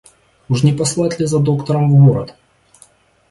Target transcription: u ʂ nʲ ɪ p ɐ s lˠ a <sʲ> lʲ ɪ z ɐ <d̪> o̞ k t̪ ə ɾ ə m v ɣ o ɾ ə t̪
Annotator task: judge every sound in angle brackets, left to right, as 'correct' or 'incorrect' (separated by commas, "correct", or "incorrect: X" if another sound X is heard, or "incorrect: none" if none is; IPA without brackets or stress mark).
incorrect: tʲ, correct